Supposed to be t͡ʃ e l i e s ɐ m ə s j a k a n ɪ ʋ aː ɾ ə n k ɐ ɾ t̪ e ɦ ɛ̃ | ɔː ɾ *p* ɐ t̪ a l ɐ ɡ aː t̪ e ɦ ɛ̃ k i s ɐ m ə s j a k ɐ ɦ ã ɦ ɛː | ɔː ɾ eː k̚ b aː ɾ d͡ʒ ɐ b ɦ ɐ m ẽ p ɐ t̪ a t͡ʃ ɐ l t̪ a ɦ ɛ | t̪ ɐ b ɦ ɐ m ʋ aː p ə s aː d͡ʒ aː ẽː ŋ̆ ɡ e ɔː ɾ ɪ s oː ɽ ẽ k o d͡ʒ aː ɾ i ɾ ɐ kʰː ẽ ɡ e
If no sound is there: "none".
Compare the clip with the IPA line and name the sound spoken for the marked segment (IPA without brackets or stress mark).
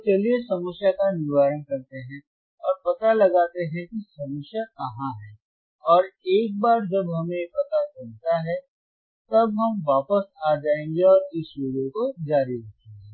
p